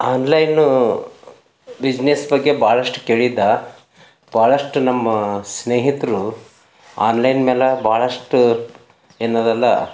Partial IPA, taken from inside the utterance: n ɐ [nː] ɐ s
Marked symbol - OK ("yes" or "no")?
no